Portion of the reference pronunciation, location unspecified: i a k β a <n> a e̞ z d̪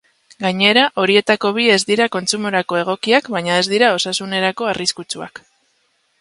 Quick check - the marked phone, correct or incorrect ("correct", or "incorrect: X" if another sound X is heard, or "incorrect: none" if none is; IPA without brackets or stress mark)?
incorrect: ɲ